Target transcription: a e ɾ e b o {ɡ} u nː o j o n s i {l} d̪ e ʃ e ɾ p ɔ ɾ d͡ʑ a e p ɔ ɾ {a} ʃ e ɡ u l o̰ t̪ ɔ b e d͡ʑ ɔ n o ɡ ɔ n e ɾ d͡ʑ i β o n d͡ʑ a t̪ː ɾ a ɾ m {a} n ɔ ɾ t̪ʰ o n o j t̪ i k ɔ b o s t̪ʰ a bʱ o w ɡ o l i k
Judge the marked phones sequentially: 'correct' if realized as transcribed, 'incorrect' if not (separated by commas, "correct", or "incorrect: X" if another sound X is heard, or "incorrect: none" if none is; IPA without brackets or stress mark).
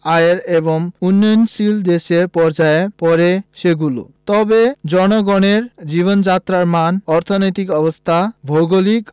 incorrect: ŋ, correct, incorrect: e, correct